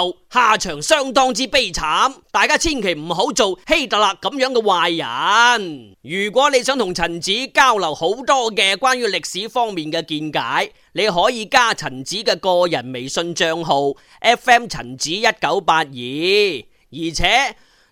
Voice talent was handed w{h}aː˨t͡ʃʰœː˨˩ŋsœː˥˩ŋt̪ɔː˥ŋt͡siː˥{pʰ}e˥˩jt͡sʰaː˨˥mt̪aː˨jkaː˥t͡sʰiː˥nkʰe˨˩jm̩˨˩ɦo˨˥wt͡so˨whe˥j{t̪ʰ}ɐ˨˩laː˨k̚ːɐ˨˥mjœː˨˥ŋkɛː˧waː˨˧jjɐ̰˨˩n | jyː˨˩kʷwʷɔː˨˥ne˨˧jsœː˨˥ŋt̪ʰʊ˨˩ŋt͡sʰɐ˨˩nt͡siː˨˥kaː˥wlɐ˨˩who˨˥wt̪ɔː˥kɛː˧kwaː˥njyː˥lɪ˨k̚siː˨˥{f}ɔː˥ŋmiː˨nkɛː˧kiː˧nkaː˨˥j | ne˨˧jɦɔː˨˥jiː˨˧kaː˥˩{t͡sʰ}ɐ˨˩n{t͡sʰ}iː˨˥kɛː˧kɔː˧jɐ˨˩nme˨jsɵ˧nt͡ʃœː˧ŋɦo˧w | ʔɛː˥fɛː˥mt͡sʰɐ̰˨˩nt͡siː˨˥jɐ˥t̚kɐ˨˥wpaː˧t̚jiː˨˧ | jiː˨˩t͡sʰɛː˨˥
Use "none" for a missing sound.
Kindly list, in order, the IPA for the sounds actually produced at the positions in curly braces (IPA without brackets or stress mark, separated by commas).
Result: h, p, t̪, f, t͡sʰ, t͡s